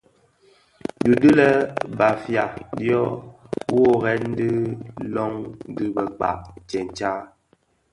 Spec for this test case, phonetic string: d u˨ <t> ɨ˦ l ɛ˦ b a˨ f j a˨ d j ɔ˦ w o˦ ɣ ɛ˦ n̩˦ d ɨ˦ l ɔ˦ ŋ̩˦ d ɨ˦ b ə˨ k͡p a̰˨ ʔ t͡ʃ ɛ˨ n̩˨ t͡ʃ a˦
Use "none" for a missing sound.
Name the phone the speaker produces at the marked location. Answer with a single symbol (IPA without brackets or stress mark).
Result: d